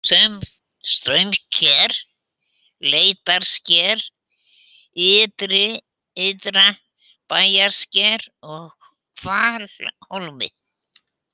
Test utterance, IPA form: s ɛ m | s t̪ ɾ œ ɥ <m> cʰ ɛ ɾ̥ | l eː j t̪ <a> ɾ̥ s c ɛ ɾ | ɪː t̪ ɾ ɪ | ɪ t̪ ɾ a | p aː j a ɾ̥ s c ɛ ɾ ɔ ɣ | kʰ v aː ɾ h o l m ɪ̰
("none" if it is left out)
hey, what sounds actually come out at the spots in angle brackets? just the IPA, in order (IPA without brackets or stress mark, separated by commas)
m, a